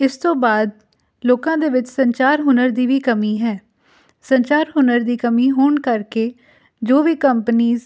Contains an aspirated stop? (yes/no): no